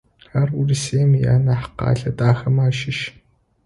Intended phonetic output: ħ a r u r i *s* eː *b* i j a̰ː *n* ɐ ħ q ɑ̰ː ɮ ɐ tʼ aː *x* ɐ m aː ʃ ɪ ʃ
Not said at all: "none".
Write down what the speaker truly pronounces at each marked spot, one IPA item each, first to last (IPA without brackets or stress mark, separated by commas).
s, m, n, x